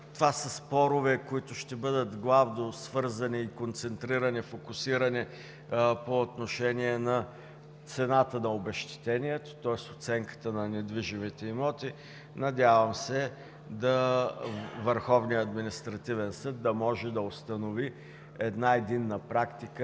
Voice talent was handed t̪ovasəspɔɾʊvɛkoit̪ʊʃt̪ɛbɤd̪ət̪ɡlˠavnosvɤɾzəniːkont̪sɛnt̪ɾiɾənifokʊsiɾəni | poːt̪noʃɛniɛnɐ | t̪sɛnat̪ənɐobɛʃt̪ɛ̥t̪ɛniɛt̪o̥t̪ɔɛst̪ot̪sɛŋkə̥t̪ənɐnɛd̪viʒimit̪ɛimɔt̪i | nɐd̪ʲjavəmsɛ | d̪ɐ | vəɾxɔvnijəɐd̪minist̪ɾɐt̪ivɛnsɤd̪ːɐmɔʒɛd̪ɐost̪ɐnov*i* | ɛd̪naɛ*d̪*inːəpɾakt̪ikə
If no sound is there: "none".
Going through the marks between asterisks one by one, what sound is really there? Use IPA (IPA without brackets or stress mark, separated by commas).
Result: i, d̪